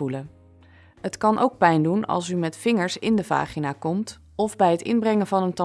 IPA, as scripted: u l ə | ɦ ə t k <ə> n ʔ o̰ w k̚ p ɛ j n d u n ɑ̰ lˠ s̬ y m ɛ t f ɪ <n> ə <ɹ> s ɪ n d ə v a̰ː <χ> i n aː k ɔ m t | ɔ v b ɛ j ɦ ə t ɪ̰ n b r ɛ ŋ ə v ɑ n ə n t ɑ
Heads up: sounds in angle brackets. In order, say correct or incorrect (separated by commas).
incorrect, incorrect, correct, correct